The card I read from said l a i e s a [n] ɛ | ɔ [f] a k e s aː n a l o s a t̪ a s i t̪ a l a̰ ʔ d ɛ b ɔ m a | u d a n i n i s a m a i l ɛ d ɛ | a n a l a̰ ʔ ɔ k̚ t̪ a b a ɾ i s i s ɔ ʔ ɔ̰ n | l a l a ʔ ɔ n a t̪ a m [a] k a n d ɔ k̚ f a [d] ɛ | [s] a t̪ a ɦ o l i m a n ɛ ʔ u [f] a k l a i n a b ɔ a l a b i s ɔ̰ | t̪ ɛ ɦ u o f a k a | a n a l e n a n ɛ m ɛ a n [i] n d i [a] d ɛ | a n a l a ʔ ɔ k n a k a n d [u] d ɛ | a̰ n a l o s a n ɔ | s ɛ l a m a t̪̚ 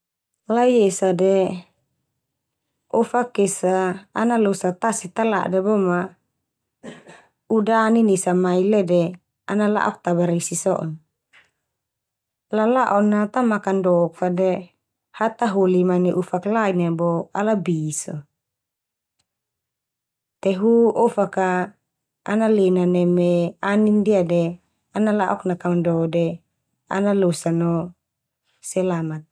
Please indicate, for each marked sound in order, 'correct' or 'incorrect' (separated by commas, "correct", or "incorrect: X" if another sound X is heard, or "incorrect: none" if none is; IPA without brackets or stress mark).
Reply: incorrect: d, correct, correct, correct, incorrect: h, correct, correct, correct, incorrect: ɔ